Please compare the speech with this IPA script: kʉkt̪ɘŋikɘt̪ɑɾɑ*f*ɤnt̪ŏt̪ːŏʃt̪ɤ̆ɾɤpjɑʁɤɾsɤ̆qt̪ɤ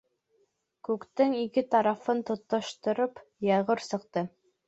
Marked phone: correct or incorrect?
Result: correct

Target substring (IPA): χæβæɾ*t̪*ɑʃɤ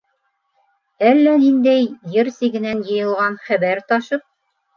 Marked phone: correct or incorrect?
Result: correct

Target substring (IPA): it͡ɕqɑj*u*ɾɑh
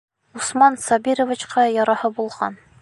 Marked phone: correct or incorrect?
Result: incorrect: ɒ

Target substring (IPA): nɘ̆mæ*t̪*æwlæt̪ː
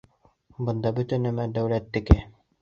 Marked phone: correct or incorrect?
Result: incorrect: d̪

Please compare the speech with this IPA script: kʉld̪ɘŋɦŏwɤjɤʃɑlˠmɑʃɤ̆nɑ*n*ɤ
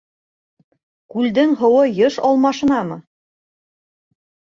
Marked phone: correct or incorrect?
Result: incorrect: m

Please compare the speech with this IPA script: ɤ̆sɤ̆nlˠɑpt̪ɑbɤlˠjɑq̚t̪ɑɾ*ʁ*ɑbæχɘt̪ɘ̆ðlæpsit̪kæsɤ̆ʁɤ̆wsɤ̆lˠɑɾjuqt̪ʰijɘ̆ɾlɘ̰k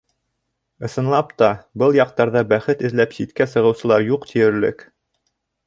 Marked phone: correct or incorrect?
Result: incorrect: ð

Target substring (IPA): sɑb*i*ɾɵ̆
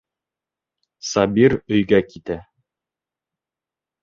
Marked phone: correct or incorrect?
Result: correct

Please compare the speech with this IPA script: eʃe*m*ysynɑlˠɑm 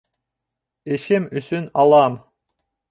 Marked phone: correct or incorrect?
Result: correct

